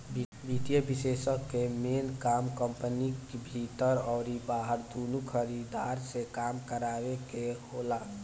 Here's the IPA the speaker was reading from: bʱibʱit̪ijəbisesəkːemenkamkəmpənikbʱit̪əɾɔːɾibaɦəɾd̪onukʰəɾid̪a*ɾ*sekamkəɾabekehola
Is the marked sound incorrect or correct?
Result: correct